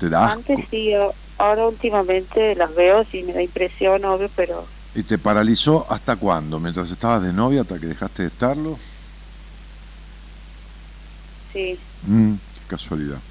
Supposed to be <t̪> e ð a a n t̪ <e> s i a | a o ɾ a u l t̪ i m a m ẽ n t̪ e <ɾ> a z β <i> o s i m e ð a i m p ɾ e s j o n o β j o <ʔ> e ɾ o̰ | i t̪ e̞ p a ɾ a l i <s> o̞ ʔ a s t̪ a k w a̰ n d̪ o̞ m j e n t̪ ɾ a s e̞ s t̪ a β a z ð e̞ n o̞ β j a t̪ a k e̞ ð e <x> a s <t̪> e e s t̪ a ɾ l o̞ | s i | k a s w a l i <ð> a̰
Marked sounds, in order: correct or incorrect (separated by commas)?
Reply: correct, correct, incorrect, incorrect, incorrect, correct, correct, correct, correct